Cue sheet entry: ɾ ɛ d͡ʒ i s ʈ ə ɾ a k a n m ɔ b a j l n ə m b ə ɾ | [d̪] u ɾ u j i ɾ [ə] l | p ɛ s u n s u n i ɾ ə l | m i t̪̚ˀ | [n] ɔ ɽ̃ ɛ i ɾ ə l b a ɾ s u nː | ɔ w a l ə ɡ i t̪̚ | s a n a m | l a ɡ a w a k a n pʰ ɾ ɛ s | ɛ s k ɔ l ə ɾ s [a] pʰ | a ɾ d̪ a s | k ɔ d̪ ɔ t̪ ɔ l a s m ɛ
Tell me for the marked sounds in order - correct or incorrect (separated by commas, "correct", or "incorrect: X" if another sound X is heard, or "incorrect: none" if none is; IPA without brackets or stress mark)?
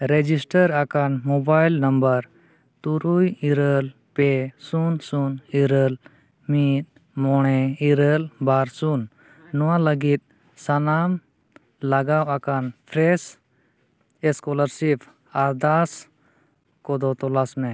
incorrect: t̪, correct, incorrect: m, incorrect: i